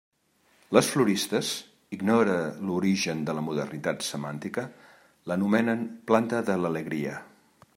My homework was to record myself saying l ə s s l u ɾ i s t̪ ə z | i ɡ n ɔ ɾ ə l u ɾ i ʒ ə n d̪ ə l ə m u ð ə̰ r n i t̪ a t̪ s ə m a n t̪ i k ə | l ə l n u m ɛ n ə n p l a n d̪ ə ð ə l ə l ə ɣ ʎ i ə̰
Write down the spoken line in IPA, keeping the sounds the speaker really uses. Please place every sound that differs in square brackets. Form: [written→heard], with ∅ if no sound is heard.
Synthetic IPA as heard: l ə s [s→f] l u ɾ i s t̪ ə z | i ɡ n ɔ ɾ ə l u ɾ i ʒ ə n d̪ ə l ə m u ð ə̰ r n i t̪ a t̪ s ə m a n t̪ i k ə | l ə [l→∅] n u m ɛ n ə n p l a n [d̪→t̪] ə ð ə l ə l ə ɣ [ʎ→ɾ] i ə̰